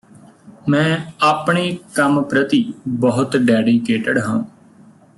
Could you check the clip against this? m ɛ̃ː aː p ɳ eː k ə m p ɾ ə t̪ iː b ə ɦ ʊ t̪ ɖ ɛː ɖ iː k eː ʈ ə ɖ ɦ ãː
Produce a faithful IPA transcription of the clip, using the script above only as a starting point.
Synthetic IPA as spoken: m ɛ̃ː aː p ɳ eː k ə m p ɾ ə t̪ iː b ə ɦ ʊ t̪ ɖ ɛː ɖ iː k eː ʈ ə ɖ ɦ ãː

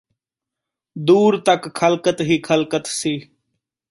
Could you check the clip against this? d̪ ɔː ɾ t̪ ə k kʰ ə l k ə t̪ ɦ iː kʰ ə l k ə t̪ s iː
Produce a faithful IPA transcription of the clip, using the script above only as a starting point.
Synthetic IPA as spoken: d̪ uː ɾ t̪ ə k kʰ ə l k ə t̪ ɦ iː kʰ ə l k ə t̪ s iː

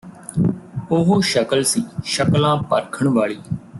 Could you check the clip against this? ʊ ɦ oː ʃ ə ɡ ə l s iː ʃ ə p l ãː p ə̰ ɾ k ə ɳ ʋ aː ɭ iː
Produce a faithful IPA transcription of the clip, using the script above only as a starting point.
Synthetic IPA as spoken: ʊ ɦ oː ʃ ə k ə l s iː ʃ ə k l ãː p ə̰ ɾ kʰ ə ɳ ʋ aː ɭ iː

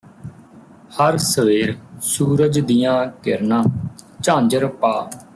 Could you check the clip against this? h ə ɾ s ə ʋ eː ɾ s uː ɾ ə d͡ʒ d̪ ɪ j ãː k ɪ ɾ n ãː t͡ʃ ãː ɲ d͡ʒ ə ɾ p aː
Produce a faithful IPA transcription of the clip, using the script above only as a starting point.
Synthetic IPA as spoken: h ə ɾ s ə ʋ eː ɾ s uː ɾ ə d͡ʒ d̪ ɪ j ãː k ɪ ɾ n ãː t͡ʃ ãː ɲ d͡ʒ ə ɾ p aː

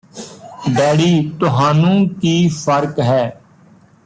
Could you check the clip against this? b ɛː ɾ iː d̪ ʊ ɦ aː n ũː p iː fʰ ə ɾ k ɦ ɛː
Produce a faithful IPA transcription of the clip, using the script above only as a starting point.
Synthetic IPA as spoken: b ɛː ɽ iː t̪ ʊ ɦ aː n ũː k iː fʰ ə ɾ k ɦ ɛː

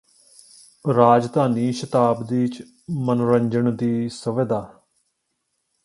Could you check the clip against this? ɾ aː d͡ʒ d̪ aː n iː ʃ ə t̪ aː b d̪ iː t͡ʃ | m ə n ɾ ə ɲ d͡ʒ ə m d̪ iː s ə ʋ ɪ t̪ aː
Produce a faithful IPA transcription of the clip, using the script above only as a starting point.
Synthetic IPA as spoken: ɾ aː d͡ʒ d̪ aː n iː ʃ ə t̪ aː b d̪ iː t͡ʃ | m ə n ɾ ə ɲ d͡ʒ ə ɳ d̪ iː s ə ʋ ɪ d̪ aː

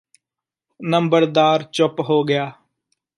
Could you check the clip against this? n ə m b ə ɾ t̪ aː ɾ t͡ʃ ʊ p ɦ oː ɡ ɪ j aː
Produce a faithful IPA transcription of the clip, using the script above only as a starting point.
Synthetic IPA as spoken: n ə m b ə ɾ d̪ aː ɾ t͡ʃ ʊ p ɦ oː ɡ ɪ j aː

